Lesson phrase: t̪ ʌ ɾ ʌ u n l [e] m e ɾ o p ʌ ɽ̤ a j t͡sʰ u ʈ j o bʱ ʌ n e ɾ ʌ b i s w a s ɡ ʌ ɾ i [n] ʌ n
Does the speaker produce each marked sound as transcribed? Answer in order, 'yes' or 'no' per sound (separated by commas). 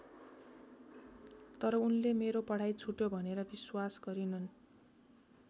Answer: yes, yes